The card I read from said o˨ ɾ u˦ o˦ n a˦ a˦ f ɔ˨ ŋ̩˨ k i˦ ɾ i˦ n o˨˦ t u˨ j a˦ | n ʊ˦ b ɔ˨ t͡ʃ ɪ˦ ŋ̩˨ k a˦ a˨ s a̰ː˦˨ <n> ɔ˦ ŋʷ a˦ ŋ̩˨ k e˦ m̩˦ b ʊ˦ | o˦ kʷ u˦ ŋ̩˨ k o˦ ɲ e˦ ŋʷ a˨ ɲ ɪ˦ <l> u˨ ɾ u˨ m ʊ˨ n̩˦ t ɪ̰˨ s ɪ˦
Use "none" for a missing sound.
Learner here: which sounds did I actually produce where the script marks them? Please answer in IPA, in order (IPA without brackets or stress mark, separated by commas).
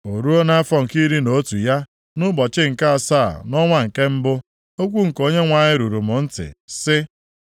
n, ɾ